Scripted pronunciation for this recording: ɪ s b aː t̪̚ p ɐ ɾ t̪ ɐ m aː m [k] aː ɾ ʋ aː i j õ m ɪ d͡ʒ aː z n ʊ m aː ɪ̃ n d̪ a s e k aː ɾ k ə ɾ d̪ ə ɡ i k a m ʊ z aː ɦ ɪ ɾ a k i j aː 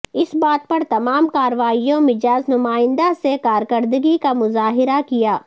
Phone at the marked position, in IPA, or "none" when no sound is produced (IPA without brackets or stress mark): k